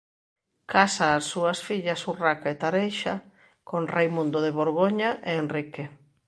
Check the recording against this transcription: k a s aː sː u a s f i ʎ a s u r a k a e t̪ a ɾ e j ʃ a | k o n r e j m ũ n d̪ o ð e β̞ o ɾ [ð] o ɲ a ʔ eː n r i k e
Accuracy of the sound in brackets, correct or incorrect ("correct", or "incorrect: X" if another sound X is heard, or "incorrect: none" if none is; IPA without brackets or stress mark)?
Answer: incorrect: ɣ